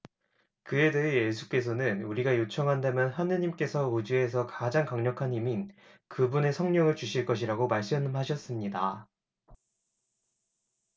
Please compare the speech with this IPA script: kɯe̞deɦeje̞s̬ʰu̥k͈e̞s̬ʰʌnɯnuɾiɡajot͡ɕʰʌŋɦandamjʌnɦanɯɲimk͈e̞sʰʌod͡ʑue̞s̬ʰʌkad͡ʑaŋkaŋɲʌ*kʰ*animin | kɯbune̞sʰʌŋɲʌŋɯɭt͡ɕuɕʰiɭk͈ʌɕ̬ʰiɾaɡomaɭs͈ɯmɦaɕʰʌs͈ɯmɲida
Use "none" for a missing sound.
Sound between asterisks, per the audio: kʰ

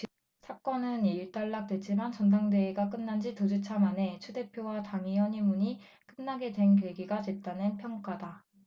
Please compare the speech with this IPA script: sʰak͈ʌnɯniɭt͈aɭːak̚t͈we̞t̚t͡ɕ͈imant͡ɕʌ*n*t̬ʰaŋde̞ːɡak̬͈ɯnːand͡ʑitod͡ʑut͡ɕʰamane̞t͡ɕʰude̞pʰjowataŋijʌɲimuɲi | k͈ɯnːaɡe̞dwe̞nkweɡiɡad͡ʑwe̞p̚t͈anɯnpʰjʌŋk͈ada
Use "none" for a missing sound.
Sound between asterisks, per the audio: n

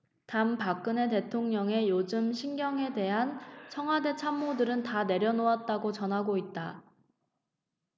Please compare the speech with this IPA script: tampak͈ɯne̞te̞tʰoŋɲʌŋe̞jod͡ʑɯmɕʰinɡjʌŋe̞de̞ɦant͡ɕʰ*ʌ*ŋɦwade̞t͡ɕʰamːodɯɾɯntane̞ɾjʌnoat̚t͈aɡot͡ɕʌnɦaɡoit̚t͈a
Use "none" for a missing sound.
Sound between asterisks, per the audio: ʌ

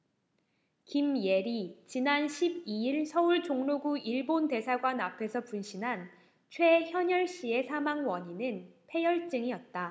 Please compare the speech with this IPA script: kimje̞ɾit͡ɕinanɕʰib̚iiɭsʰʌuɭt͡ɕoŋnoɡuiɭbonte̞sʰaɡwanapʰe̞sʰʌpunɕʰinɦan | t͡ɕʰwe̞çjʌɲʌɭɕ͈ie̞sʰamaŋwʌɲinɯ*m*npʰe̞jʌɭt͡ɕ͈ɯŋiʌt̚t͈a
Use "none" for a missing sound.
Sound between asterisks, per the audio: none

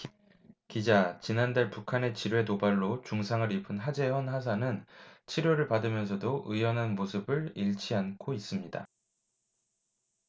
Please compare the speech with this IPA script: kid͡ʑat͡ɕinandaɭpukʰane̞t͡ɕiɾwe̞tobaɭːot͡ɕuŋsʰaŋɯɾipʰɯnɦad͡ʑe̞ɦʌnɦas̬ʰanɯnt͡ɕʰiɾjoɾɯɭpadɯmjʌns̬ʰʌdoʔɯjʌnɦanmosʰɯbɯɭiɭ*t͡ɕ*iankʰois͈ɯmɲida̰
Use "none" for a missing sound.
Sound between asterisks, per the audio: t͡ɕʰ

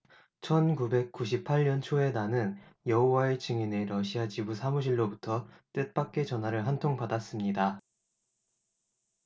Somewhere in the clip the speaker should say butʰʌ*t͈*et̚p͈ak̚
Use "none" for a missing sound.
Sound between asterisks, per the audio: t͈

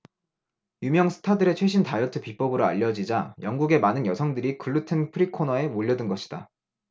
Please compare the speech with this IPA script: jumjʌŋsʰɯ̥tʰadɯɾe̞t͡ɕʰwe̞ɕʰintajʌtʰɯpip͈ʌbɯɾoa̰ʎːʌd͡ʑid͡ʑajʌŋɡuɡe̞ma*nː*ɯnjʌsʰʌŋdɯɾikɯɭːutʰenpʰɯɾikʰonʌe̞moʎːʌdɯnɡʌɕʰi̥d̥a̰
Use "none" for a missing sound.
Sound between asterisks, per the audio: n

